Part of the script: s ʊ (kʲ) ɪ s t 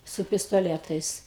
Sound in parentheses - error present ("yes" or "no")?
yes